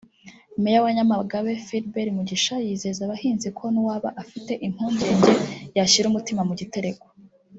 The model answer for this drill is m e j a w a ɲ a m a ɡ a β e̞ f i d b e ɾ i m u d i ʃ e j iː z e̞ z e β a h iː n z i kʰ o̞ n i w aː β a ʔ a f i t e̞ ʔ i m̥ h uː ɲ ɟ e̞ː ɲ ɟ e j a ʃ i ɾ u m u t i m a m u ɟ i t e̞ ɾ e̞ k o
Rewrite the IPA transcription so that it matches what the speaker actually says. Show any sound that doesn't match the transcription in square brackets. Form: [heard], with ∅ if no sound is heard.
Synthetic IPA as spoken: m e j a w a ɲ a m a ɡ a β e̞ f i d b e ɾ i m u [ɟ] i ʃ [a] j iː z e̞ z [a] β a h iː n z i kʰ o̞ n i w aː β a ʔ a f i t e̞ ʔ i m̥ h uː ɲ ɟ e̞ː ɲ ɟ e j a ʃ i ɾ u m u t i m a m u ɟ i t e̞ ɾ e̞ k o